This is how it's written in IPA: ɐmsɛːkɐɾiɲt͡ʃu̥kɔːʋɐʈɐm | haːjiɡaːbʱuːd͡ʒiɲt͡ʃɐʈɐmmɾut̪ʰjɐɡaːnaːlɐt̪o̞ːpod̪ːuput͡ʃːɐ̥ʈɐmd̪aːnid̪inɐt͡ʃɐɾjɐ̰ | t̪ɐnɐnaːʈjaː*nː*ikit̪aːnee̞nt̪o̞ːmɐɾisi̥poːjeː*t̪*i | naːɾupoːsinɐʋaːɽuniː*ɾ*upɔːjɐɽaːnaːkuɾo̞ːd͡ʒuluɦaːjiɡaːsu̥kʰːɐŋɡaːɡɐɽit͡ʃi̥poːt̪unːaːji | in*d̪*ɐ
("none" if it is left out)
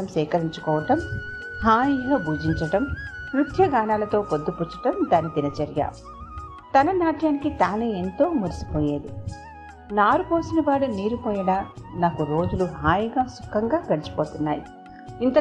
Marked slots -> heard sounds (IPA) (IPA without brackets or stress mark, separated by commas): n, d̪, ɾ, t̪